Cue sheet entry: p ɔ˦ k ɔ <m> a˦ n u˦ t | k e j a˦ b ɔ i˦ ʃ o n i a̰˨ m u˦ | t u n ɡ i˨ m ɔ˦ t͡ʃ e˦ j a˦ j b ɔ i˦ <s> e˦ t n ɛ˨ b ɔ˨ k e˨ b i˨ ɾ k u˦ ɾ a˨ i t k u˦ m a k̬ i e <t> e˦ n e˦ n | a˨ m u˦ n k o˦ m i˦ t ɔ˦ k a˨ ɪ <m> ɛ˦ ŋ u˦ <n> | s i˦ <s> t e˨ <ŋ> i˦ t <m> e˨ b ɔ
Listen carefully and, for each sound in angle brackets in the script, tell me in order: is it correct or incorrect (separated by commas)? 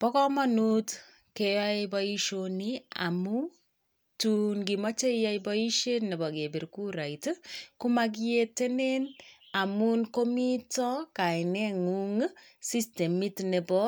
correct, incorrect, correct, incorrect, incorrect, correct, incorrect, incorrect